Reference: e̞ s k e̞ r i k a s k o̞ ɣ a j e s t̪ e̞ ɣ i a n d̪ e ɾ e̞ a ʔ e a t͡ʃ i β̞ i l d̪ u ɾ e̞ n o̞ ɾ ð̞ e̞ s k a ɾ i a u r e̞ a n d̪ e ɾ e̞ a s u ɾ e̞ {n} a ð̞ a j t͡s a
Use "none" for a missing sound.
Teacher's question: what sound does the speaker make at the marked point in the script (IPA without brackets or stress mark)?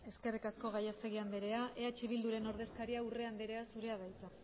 none